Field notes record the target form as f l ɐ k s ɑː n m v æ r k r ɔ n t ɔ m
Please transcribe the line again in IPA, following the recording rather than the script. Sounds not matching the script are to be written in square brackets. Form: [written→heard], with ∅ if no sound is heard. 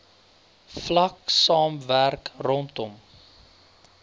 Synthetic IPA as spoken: f l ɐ k s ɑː [n→∅] m v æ r k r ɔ n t ɔ m